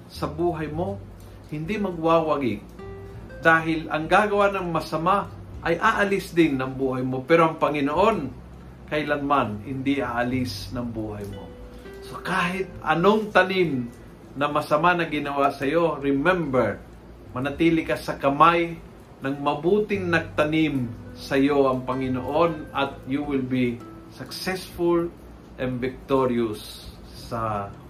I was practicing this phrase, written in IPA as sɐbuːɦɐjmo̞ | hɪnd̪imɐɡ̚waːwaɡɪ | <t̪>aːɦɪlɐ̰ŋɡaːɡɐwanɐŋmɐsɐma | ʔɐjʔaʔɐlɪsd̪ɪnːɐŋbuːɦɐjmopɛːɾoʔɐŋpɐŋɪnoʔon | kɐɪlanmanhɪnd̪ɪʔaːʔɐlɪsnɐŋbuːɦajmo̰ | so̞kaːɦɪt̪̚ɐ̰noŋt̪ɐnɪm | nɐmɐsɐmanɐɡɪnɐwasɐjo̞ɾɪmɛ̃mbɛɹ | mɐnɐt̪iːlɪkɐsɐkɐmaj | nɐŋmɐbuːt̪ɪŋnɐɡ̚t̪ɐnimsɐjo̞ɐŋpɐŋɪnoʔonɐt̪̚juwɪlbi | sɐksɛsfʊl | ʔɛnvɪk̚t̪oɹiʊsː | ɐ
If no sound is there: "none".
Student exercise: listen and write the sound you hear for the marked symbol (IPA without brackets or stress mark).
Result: d̪